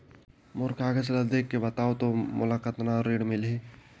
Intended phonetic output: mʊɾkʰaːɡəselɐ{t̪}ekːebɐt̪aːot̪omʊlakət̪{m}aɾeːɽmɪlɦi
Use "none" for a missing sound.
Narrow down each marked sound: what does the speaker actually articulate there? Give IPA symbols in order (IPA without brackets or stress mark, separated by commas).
d̪, n